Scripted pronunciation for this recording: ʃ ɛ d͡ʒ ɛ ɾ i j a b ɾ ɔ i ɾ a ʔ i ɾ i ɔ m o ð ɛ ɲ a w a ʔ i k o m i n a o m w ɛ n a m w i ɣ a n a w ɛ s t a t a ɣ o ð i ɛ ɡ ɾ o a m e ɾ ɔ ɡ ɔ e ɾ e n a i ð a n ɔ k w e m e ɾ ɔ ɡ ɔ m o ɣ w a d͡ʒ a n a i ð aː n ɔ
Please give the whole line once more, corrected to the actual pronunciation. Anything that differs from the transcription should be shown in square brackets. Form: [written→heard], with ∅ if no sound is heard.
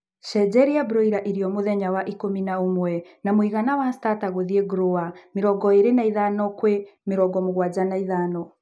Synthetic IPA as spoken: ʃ ɛ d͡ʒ ɛ ɾ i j a b ɾ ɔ i ɾ a ʔ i ɾ i ɔ m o ð ɛ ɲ a w a ʔ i k o m i n a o m w ɛ n a m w i ɣ a n a w [ɛ→a] s t a t a ɣ o ð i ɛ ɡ ɾ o a m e ɾ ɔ ɡ ɔ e ɾ e n a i ð a n ɔ k w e m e ɾ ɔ ɡ ɔ m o ɣ w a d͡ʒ a n a i ð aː n ɔ